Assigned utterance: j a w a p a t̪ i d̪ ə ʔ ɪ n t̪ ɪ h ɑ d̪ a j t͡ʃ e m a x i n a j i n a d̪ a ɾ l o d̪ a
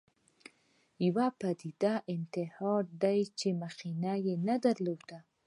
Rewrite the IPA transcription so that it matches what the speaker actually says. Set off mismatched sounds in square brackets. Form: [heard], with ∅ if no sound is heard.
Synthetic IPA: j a w a p a [d̪] i d̪ [a] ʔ ɪ n t̪ ɪ h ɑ d̪ a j t͡ʃ e m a x i n a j [e] n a d̪ a ɾ l o d̪ a